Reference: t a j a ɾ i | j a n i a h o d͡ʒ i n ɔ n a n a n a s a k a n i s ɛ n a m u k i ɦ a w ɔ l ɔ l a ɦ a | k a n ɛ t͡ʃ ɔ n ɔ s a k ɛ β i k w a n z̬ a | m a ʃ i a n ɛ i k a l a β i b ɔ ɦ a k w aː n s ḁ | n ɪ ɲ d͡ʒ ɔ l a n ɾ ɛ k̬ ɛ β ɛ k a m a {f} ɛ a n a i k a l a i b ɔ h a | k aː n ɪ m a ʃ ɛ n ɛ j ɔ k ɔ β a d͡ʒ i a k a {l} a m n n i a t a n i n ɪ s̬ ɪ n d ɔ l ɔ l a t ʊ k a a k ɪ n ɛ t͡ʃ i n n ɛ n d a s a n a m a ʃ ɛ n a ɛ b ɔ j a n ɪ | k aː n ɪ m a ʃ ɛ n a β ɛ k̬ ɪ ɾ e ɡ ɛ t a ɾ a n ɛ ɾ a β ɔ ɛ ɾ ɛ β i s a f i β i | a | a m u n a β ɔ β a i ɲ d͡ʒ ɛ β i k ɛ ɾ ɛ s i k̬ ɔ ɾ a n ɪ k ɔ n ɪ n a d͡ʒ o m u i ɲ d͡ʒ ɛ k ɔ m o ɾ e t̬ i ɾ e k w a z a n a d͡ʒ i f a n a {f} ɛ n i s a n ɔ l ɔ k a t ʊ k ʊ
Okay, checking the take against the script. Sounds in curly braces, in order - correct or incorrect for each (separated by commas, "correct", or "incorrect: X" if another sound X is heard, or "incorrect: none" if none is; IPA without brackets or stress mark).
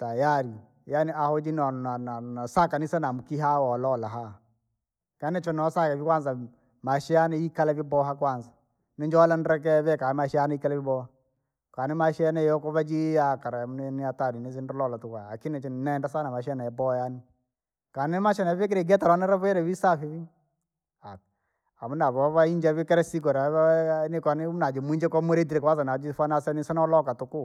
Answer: incorrect: ʃ, incorrect: ɾ, incorrect: s